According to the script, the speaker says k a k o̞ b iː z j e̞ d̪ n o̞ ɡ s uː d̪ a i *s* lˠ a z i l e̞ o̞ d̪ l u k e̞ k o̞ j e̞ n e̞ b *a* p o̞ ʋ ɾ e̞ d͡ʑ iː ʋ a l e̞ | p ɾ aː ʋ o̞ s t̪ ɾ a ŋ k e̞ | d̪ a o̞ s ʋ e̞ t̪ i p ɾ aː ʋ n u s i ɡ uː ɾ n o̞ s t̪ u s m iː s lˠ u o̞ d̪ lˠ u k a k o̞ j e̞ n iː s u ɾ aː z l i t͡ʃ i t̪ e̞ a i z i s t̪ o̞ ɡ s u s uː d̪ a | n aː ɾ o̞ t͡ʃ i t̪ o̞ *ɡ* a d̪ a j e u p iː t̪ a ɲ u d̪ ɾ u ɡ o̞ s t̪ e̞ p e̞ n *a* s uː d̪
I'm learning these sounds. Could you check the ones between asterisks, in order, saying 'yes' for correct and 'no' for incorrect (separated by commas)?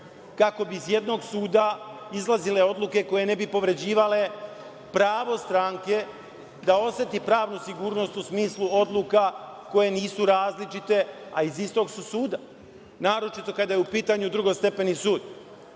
no, no, no, no